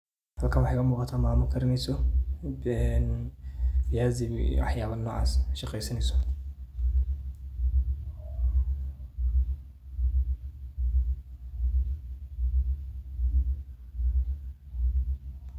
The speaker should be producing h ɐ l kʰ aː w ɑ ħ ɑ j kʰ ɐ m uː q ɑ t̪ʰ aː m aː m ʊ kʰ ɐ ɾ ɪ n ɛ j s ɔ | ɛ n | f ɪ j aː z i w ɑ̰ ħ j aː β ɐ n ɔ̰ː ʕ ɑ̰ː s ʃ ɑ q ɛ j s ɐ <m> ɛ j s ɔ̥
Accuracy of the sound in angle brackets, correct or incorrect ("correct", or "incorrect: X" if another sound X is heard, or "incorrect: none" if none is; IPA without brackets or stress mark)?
incorrect: n